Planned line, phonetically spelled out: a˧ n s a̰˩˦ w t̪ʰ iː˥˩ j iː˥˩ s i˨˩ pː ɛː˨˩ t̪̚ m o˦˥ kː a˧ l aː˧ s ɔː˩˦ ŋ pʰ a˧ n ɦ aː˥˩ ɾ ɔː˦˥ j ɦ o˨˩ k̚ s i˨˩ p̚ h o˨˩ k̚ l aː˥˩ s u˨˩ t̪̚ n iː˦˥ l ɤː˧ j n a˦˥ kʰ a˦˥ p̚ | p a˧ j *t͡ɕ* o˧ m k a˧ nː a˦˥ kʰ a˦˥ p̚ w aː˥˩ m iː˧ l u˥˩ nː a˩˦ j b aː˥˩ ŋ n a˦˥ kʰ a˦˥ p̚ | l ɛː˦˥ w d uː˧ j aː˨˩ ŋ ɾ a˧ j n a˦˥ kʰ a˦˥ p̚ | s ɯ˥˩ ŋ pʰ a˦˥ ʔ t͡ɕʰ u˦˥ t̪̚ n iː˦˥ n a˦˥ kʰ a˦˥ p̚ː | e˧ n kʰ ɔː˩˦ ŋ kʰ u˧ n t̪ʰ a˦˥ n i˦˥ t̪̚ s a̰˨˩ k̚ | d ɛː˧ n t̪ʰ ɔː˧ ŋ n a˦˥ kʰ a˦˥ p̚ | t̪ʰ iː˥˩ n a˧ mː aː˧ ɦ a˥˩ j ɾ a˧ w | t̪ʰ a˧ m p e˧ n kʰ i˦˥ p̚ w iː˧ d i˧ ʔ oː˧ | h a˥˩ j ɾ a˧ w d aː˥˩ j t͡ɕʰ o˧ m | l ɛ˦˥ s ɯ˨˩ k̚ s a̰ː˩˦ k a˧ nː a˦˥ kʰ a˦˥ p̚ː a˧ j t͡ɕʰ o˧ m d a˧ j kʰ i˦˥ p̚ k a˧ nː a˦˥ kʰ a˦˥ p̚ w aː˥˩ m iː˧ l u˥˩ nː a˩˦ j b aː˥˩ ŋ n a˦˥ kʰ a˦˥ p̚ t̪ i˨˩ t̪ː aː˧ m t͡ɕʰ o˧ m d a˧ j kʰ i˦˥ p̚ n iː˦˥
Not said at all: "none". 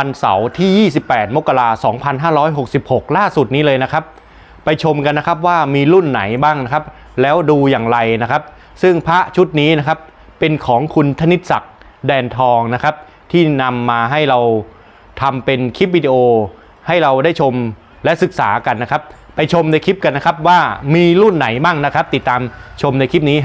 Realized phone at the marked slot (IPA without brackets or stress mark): t͡ɕʰ